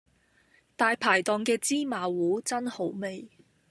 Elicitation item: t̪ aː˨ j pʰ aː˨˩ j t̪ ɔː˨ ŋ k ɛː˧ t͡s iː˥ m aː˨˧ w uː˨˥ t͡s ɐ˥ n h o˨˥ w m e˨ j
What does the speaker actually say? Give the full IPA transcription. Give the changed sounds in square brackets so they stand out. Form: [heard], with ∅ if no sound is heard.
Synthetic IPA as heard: t̪ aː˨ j pʰ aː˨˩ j t̪ ɔː˨ ŋ k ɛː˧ t͡s iː˥ m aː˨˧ w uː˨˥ t͡s ɐ˥ n h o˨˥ w m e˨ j